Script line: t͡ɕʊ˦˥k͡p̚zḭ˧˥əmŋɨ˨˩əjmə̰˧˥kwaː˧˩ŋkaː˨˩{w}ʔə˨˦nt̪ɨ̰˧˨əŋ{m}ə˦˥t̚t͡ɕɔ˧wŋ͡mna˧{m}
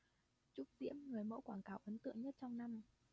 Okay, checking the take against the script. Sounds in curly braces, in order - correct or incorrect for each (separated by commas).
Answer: correct, incorrect, correct